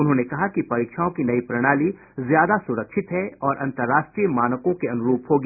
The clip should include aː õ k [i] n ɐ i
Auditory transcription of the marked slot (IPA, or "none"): i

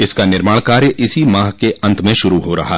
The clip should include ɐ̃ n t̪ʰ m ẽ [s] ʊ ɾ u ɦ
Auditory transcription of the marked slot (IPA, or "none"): ʃ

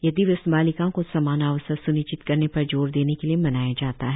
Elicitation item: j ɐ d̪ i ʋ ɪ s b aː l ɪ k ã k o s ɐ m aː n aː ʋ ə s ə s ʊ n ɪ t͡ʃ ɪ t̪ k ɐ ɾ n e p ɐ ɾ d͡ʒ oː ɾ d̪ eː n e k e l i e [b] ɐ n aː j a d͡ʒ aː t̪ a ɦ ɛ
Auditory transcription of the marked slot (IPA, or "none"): m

